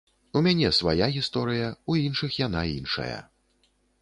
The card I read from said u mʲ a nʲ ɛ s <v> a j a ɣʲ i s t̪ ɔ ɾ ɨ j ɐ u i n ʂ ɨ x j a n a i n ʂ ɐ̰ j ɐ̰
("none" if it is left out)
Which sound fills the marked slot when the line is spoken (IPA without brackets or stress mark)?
v